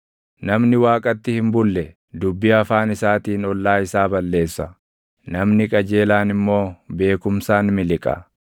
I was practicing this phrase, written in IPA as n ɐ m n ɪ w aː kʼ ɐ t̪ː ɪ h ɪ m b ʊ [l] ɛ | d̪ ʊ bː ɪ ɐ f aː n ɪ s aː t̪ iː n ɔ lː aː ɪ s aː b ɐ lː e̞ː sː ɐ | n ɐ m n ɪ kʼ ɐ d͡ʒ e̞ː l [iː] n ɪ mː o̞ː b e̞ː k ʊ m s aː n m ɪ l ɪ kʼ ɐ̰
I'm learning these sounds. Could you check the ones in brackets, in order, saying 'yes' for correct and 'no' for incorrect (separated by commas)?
no, no